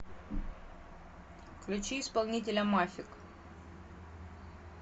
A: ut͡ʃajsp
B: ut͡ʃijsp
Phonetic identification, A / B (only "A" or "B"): B